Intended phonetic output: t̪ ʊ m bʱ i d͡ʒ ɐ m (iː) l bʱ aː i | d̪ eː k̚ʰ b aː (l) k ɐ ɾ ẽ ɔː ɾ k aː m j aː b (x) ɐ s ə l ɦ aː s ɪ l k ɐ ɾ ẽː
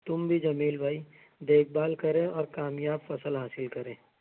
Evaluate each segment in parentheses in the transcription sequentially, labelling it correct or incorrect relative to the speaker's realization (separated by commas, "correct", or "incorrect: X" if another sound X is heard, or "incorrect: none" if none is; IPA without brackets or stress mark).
correct, correct, incorrect: f